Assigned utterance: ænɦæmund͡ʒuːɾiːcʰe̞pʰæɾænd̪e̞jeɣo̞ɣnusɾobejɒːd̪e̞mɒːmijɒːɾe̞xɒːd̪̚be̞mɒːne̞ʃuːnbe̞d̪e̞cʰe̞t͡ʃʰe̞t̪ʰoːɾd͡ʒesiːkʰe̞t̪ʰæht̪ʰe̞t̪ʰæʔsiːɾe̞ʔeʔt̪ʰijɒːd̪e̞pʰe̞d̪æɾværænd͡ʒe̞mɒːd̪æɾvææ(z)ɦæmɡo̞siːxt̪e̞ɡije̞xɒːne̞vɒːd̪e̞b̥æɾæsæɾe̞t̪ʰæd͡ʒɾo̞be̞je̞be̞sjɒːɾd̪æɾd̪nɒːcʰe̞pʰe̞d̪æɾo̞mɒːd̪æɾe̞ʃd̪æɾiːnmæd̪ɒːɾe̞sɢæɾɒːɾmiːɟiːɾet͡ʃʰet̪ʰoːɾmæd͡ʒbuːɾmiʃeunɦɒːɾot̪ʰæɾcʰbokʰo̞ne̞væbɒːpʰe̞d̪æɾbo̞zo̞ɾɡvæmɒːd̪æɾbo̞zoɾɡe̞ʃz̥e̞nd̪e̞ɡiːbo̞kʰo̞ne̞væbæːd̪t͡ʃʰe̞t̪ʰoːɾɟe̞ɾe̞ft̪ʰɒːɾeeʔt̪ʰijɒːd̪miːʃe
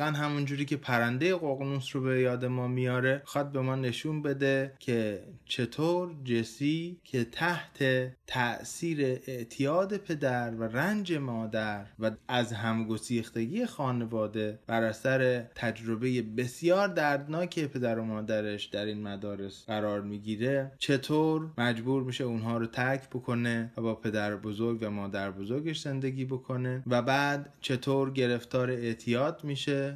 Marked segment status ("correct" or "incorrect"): correct